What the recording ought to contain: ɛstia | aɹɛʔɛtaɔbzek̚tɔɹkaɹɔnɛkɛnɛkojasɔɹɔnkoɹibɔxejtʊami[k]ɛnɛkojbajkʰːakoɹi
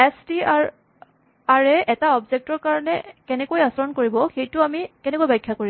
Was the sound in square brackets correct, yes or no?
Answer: yes